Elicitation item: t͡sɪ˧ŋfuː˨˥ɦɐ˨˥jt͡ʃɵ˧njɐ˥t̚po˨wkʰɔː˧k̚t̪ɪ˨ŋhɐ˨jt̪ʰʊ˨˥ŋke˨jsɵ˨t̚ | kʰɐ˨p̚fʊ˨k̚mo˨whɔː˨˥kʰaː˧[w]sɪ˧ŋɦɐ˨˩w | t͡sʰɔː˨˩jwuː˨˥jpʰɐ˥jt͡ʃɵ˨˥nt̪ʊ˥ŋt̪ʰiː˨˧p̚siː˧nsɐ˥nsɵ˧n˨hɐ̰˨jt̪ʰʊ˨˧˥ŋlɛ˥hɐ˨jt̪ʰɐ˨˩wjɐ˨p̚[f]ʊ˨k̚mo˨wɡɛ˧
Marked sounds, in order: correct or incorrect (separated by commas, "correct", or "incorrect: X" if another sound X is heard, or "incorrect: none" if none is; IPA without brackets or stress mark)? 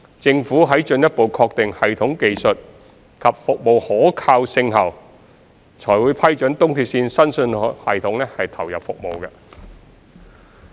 correct, correct